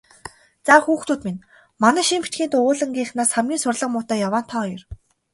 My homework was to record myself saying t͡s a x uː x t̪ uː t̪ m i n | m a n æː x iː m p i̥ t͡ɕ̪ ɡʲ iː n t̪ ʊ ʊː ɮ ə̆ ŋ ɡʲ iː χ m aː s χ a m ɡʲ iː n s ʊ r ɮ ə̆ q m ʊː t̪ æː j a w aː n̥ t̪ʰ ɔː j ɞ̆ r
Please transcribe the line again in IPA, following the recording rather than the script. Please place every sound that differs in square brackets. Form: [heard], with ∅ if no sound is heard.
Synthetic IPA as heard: t͡s a x uː x t̪ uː t̪ m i n | m a n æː [ʃ] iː m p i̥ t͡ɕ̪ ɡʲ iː n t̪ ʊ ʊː ɮ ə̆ ŋ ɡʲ iː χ [n] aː s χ a m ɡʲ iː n s ʊ r ɮ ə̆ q m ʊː t̪ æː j a w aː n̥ t̪ʰ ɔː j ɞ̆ r